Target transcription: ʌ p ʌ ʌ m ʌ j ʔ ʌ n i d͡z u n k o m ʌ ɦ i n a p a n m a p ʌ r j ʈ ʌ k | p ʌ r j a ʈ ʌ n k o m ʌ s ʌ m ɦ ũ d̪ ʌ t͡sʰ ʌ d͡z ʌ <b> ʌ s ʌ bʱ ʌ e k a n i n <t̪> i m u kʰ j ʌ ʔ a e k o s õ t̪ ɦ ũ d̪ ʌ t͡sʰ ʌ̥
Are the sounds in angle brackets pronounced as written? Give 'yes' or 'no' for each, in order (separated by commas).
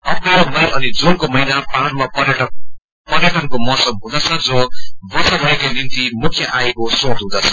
yes, yes